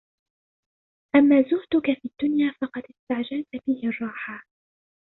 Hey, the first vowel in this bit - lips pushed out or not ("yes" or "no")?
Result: no